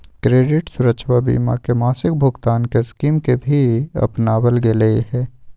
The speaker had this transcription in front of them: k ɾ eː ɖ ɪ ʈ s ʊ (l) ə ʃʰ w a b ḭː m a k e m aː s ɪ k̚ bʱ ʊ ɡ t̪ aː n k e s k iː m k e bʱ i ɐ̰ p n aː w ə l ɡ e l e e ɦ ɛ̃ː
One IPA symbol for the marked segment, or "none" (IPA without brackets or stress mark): ɾ